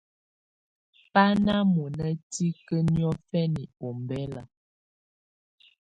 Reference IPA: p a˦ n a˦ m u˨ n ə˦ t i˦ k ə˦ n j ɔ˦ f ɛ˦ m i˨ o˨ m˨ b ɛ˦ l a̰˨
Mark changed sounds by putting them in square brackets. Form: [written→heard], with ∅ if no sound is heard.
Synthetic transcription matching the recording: p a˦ n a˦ m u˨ n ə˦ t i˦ k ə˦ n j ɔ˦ f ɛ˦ [m→n] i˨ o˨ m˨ b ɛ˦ l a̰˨